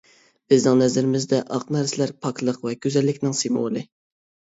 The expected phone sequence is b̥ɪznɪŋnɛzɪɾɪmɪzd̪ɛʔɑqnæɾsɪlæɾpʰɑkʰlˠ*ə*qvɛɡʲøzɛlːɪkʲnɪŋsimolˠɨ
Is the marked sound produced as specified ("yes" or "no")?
yes